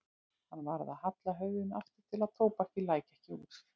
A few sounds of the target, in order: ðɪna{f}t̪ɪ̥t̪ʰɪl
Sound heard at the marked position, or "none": f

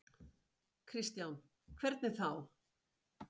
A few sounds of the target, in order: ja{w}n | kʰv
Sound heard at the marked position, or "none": w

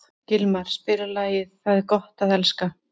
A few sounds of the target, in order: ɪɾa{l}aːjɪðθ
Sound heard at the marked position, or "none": l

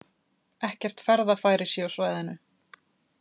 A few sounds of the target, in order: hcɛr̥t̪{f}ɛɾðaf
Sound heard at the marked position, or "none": f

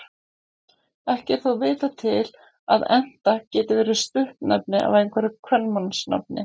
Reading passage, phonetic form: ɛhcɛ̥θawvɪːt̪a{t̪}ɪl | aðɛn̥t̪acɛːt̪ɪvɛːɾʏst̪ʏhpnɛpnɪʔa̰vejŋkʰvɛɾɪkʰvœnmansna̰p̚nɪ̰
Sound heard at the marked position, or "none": t̪ʰ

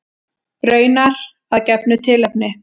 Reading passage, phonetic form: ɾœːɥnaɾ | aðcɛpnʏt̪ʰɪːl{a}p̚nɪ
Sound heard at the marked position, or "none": ɛ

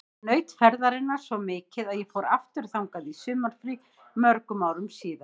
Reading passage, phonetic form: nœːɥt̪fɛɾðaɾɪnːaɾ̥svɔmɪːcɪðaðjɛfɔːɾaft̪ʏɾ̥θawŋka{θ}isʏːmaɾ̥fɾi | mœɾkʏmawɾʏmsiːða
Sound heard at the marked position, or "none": ð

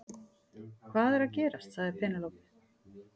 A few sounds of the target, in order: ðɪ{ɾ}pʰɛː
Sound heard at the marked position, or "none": ɾ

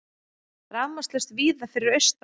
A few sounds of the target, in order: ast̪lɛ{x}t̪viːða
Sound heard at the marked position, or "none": s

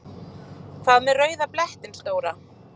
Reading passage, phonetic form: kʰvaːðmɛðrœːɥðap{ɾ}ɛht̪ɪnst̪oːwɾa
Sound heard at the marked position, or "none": l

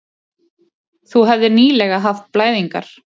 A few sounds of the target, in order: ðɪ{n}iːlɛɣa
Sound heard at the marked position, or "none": n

